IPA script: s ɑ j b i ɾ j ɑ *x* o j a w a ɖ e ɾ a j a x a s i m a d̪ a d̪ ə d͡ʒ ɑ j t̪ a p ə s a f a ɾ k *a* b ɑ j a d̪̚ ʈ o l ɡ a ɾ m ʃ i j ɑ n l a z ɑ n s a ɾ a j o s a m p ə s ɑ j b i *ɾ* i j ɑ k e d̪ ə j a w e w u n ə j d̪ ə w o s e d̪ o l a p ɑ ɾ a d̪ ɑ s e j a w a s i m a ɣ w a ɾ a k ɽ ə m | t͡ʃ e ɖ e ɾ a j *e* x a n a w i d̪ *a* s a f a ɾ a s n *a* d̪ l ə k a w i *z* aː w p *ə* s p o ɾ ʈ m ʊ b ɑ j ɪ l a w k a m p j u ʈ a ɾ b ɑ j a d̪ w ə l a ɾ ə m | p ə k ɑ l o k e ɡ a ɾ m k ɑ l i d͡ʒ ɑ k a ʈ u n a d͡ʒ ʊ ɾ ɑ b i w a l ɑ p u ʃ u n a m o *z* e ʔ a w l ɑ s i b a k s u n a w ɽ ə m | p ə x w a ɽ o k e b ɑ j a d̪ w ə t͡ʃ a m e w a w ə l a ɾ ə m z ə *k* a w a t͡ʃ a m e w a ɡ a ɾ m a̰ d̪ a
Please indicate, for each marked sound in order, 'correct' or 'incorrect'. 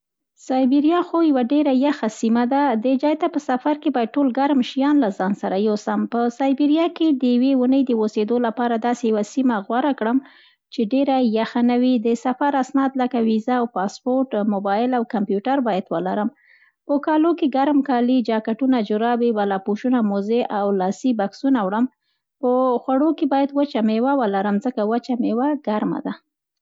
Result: correct, incorrect: e, correct, incorrect: a, incorrect: ə, incorrect: ɑ, correct, incorrect: ɑ, correct, correct

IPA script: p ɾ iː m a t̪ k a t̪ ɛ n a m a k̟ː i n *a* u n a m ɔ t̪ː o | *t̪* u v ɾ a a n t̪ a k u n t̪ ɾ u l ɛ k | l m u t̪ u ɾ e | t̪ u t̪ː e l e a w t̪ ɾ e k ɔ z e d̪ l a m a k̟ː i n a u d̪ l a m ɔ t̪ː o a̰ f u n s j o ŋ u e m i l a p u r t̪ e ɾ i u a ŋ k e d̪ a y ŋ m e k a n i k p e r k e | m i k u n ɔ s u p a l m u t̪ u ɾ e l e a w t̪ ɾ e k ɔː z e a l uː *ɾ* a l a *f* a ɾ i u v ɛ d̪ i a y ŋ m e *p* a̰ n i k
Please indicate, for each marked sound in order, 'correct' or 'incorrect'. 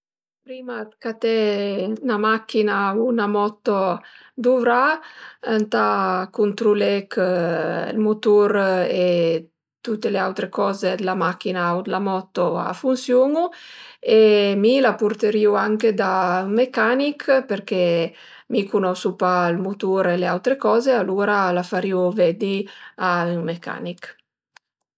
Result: correct, incorrect: d̪, correct, correct, incorrect: k

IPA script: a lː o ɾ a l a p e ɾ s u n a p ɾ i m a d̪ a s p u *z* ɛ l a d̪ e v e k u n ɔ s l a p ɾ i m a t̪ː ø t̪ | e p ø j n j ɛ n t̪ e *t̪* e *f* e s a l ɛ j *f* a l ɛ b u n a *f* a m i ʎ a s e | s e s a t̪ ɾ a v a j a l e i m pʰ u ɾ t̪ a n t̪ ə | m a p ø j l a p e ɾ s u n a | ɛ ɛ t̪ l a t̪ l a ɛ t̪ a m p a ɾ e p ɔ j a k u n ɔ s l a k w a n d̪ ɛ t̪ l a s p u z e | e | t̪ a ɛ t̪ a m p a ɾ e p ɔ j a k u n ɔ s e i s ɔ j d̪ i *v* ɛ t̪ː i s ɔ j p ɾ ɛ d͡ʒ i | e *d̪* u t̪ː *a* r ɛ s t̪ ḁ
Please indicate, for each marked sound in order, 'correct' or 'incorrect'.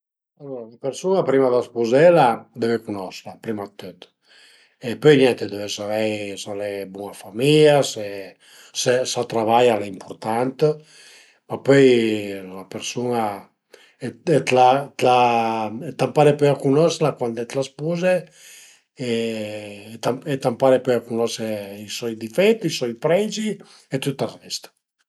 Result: correct, incorrect: d̪, incorrect: v, incorrect: s, correct, incorrect: f, incorrect: t̪, correct

